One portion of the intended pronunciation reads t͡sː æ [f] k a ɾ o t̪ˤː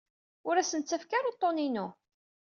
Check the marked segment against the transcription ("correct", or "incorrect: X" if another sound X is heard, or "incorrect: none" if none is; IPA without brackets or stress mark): correct